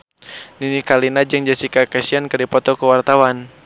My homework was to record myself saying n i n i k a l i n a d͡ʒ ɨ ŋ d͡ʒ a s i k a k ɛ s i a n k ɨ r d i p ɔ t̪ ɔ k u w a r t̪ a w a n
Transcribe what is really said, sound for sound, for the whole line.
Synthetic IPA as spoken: n i n i k a l i n a d͡ʒ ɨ ŋ d͡ʒ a s i k a k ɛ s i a n k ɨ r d i p ɔ t̪ ɔ k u w a r t̪ a w a n